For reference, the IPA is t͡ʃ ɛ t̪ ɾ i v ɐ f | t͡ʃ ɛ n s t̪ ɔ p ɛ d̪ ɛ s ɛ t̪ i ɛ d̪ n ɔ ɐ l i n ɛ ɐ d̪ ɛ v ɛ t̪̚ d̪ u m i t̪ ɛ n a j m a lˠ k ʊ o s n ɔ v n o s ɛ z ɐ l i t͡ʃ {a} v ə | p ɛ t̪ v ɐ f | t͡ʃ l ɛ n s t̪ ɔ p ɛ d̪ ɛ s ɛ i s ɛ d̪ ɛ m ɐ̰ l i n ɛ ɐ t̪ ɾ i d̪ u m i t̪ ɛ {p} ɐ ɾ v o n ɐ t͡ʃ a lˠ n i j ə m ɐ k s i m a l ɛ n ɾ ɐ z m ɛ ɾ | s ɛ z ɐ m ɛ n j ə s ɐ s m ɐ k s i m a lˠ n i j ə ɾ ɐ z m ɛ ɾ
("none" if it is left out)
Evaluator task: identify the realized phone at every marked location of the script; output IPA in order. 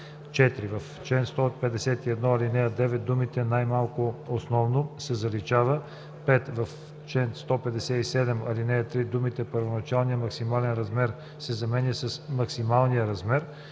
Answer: a, p

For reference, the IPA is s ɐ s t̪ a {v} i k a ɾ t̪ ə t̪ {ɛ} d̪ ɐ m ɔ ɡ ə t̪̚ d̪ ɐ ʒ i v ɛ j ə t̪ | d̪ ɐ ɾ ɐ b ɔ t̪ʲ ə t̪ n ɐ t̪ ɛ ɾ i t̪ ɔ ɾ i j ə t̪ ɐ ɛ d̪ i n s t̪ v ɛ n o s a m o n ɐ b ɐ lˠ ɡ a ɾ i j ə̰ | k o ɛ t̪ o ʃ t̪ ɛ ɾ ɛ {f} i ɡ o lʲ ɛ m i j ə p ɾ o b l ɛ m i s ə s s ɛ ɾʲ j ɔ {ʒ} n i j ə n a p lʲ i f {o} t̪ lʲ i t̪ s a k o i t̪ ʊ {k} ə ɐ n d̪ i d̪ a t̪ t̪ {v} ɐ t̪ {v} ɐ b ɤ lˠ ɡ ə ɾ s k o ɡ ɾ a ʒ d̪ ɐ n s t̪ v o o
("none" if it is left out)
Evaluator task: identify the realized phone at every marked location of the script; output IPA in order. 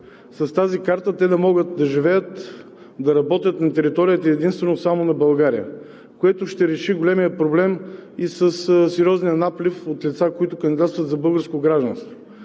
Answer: z, ɛ, ʃ, z, o, k, v, z

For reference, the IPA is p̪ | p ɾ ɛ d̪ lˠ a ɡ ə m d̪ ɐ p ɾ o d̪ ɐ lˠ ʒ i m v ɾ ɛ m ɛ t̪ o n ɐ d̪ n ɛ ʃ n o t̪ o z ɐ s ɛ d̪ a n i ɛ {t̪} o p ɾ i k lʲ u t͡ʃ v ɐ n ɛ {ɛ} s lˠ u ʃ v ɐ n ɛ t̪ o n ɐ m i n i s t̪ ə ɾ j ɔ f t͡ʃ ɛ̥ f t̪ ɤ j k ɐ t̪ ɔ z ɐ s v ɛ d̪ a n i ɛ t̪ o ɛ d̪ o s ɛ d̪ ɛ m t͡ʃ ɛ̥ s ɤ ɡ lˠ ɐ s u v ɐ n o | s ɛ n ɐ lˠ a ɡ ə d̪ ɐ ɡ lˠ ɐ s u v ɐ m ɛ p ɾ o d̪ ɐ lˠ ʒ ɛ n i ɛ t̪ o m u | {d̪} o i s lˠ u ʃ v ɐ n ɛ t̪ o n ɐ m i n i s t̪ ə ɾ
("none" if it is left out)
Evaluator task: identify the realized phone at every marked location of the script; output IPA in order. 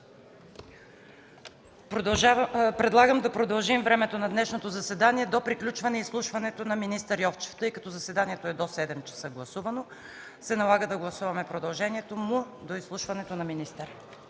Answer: d̪, i, d̪

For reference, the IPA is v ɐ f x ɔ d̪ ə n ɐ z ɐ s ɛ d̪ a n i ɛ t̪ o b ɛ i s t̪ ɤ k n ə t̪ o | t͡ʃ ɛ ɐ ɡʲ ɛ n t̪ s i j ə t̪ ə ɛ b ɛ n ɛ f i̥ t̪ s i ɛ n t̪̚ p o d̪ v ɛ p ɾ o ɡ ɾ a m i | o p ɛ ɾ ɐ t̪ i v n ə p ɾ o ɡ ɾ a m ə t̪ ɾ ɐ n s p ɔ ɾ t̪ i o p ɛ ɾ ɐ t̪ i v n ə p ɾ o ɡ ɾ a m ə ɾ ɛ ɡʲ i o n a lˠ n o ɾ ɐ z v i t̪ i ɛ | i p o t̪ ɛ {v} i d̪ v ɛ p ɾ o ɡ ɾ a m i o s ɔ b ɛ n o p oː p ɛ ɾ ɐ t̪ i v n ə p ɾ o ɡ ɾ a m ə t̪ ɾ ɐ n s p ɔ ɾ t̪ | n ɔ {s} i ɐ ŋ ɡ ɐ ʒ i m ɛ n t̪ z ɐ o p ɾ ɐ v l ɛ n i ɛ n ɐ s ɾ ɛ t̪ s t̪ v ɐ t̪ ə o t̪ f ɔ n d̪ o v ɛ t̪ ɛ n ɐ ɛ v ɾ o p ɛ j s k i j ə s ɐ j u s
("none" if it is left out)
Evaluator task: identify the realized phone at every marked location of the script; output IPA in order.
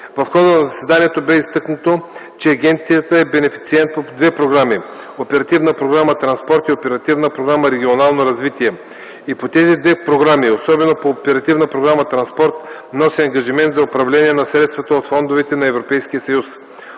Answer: z, s

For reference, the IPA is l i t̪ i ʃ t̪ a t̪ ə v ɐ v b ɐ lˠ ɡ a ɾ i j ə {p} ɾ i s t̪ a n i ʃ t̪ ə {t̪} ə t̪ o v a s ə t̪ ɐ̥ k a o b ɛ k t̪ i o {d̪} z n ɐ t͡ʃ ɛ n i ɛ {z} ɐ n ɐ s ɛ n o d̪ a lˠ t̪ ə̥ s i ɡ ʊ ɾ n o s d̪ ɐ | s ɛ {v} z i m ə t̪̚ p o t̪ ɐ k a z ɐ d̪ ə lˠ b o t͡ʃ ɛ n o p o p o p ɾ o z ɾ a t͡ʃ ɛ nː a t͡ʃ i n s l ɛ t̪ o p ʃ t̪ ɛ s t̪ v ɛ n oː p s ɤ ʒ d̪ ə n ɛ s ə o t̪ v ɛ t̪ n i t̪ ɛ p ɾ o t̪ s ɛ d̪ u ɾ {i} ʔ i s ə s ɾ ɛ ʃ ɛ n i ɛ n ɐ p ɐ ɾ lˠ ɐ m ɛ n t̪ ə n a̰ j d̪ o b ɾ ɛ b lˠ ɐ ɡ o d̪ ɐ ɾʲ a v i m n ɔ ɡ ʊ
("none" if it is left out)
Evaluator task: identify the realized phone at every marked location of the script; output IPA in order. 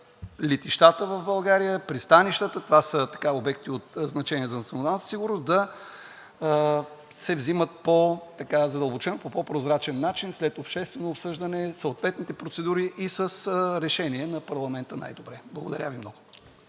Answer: p, t̪, t̪, z, v, i

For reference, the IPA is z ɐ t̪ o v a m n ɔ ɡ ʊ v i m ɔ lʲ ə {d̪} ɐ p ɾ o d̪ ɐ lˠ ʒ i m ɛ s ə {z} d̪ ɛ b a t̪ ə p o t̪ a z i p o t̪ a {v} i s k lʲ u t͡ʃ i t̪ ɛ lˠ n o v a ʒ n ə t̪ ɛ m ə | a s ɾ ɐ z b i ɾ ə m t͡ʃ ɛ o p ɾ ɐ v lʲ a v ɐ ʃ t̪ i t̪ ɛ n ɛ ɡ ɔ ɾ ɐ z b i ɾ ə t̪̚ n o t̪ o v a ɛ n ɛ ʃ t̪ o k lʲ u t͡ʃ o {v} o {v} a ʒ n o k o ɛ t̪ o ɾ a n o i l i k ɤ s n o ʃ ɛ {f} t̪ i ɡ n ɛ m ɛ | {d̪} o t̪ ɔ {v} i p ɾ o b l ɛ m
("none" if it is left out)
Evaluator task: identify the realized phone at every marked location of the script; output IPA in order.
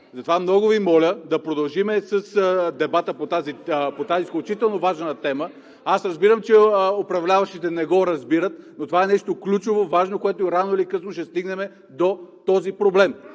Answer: d̪, s, z, v, v, s, d̪, z

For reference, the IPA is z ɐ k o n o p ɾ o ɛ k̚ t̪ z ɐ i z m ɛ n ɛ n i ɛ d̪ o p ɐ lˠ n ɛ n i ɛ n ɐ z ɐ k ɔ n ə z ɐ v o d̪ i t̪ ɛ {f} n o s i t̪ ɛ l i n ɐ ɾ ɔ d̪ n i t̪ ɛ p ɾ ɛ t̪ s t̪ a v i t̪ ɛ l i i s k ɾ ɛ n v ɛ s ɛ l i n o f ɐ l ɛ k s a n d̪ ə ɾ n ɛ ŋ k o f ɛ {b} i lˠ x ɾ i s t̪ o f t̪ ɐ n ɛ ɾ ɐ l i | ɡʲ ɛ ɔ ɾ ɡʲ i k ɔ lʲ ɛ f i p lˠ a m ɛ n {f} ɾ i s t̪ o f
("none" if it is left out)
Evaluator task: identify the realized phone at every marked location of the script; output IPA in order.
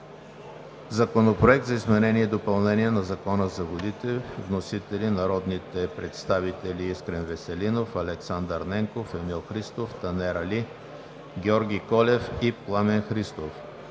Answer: v, m, x

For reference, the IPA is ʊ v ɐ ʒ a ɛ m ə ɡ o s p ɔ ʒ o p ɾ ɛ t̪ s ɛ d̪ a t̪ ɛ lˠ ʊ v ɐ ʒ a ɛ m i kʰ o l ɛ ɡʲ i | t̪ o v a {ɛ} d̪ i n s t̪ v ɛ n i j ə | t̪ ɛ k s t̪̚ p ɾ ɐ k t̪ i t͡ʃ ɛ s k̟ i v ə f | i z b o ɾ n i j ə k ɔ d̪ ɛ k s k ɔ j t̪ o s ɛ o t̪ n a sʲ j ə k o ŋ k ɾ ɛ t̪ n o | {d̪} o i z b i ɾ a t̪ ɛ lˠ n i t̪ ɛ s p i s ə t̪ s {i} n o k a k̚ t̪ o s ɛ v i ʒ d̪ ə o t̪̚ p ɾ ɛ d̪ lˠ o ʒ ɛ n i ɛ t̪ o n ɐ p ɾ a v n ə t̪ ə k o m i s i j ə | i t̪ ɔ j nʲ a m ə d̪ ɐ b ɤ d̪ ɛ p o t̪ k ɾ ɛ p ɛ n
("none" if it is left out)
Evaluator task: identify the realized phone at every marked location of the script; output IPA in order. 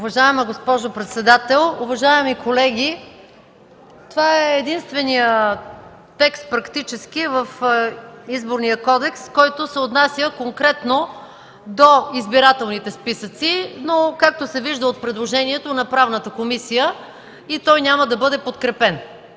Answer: ɛː, d̪, i

